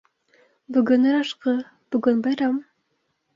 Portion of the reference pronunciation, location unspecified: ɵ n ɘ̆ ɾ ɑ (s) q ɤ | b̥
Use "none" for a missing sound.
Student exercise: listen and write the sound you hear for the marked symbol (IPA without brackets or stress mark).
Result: ʃ